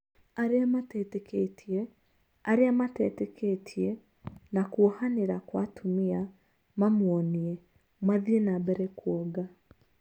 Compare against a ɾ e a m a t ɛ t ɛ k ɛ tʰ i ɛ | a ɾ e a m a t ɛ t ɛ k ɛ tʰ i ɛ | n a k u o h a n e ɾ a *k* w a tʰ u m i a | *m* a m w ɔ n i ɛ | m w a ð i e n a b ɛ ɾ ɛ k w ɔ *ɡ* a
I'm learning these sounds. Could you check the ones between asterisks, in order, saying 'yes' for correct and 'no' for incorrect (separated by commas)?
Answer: yes, yes, yes